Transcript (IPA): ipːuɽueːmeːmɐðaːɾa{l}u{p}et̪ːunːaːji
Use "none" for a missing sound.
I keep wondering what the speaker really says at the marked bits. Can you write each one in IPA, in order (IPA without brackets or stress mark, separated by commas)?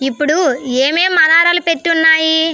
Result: l, p